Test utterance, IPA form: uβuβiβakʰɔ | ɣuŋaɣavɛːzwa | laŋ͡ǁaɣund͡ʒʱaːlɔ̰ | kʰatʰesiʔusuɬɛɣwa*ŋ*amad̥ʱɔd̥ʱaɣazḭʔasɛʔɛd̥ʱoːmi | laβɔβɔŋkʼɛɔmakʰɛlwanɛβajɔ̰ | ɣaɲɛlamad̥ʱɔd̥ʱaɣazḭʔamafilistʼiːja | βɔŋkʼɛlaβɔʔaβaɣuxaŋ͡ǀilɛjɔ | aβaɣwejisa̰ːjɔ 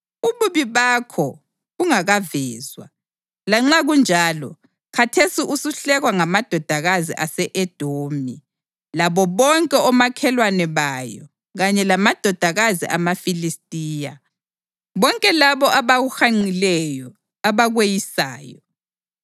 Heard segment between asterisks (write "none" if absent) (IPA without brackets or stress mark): ŋ